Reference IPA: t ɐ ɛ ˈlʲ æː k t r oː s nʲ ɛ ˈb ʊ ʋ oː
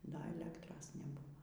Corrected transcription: d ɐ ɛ ˈlʲ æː k t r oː s nʲ ɛ ˈb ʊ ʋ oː